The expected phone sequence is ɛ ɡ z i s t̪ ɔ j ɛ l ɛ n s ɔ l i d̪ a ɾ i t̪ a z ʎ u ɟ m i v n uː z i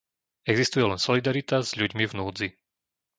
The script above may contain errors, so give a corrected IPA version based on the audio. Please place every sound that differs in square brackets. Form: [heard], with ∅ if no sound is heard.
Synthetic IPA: ɛ ɡ z i s t̪ [u] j ɛ l ɛ n s ɔ l i d̪ a ɾ i t̪ a z ʎ u ɟ m i v n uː [d͡z] i